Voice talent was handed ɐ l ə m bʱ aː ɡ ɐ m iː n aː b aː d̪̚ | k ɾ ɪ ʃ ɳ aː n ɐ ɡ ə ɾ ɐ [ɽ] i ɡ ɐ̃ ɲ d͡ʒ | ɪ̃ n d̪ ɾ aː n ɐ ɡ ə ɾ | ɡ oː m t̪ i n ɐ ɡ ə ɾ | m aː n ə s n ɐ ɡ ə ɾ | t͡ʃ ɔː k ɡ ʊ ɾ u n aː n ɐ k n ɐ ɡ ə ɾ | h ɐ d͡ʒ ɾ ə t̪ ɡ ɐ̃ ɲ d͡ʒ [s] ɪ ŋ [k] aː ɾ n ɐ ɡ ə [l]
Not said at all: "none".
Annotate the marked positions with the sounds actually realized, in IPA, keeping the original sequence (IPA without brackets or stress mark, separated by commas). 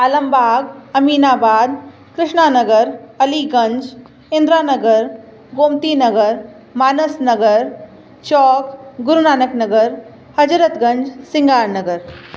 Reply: l, s, ɡ, ɾ